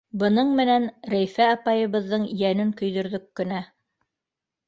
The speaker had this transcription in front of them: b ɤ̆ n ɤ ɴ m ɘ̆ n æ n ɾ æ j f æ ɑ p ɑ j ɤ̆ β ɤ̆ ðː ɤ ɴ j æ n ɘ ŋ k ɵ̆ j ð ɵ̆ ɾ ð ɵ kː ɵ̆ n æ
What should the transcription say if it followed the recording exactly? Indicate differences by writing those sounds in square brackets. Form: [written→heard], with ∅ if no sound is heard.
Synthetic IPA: b ɤ̆ n ɤ ɴ m ɘ̆ n æ n ɾ æ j f æ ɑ p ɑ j ɤ̆ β ɤ̆ ðː ɤ ɴ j æ n ɘ ŋ k ɵ̆ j ð ɵ̆ ɾ ð ɵ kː ɵ̆ n æ

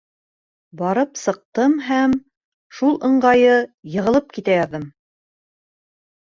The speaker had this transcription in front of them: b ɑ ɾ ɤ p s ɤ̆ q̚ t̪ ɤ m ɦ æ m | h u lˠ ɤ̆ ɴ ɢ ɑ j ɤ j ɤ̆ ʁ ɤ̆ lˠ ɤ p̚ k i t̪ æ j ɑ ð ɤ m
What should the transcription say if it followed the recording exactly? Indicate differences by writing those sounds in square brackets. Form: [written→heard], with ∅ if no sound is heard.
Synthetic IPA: b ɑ ɾ ɤ p s ɤ̆ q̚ t̪ ɤ m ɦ æ m | [h→ʃ] u lˠ ɤ̆ ɴ ɢ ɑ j ɤ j ɤ̆ ʁ ɤ̆ lˠ ɤ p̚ k i t̪ æ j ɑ ð ɤ m

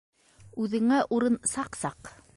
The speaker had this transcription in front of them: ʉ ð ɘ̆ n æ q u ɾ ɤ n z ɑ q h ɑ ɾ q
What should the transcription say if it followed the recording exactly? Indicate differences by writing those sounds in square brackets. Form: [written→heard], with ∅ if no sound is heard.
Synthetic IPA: ʉ ð ɘ̆ [n→ŋ] æ [q→ʔ] u ɾ ɤ n [z→s] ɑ q [h→s] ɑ [ɾ→∅] q

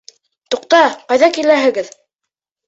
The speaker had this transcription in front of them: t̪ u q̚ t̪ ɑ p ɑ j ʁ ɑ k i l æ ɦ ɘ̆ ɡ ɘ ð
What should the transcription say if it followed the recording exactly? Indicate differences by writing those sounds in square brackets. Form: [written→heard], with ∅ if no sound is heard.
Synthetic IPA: t̪ u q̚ t̪ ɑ [p→q] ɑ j [ʁ→ð] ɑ k i l æ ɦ ɘ̆ ɡ ɘ ð

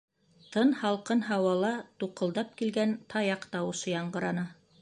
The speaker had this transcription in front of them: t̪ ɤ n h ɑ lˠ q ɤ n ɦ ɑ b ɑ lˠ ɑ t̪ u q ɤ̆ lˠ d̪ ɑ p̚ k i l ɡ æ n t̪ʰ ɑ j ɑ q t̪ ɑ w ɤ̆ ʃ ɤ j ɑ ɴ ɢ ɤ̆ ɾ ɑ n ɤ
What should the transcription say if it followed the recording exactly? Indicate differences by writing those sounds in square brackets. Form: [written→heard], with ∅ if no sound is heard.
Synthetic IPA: t̪ ɤ n h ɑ lˠ q ɤ n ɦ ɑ [b→w] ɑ lˠ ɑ t̪ u q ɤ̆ lˠ d̪ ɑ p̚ k i l ɡ æ n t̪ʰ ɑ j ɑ q t̪ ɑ w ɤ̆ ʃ ɤ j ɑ ɴ ɢ ɤ̆ ɾ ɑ n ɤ

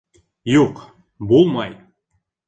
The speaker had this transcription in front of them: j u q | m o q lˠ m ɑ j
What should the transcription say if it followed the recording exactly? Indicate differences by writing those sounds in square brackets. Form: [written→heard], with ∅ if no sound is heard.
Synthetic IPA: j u q | [m→b] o [q→∅] lˠ m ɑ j

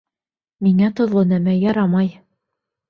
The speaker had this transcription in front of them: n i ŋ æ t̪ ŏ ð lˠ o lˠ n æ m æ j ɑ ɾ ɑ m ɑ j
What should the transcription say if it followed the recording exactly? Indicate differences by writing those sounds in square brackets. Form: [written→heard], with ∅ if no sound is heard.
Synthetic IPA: [n→m] i ŋ æ t̪ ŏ ð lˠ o [lˠ→∅] n æ m æ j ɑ ɾ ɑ m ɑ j

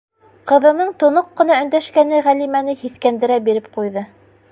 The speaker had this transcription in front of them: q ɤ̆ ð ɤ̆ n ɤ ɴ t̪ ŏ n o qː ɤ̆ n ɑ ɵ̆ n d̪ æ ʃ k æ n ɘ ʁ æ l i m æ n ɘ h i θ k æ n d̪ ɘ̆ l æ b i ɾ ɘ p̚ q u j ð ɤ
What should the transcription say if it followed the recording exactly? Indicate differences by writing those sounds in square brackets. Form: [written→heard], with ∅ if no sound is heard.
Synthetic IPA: q ɤ̆ ð ɤ̆ n ɤ ɴ t̪ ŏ n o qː ɤ̆ n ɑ ɵ̆ n d̪ æ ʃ k æ n ɘ ʁ æ l i m æ n ɘ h i θ k æ n d̪ ɘ̆ [l→ɾ] æ b i ɾ ɘ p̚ q u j ð ɤ

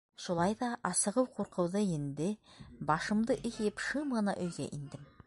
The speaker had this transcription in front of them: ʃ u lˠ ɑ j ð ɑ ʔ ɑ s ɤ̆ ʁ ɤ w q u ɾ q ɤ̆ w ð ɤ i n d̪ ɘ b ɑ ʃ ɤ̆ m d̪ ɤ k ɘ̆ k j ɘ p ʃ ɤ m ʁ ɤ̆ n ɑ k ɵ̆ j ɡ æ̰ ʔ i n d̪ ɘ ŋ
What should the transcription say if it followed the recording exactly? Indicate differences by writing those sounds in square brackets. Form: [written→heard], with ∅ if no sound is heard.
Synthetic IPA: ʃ u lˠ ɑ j ð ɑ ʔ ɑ s ɤ̆ ʁ ɤ w q u ɾ q ɤ̆ w ð ɤ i n d̪ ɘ b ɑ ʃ ɤ̆ m d̪ ɤ [k→ʔ] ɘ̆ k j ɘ p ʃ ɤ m ʁ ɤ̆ n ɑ [k→ʔ] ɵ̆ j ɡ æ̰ ʔ i n d̪ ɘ [ŋ→m]

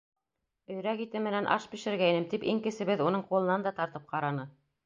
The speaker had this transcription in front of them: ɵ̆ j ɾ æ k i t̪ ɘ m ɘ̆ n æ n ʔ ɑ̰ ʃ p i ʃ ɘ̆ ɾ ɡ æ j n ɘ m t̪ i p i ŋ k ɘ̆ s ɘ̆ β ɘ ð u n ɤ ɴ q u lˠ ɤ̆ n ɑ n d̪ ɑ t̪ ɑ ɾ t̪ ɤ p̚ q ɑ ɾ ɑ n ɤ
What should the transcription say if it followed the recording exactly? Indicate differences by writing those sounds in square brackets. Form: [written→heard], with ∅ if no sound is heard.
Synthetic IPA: ɵ̆ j ɾ æ k i t̪ ɘ m ɘ̆ n æ n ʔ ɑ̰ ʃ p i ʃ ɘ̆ ɾ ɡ æ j n ɘ m t̪ i p i ŋ k ɘ̆ s ɘ̆ β ɘ ð u n ɤ ɴ q u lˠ ɤ̆ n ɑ n d̪ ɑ t̪ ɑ ɾ t̪ ɤ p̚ q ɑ ɾ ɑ n ɤ

